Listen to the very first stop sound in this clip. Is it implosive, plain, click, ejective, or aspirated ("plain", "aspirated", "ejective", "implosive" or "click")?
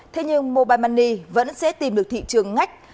aspirated